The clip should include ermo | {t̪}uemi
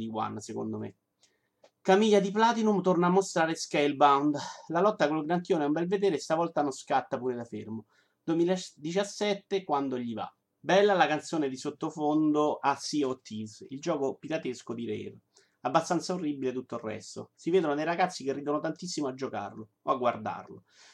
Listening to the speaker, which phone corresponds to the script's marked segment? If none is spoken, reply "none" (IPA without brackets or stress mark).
d̪